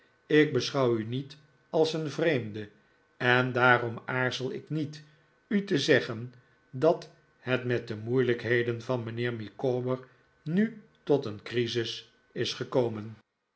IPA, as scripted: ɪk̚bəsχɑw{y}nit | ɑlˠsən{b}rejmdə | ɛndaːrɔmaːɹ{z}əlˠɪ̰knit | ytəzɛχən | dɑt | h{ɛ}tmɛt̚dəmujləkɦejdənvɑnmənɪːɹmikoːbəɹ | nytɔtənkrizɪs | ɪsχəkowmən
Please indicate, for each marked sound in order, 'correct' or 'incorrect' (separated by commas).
correct, incorrect, correct, correct